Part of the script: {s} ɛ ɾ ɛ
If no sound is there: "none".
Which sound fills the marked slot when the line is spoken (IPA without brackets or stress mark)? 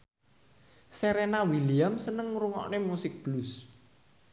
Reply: s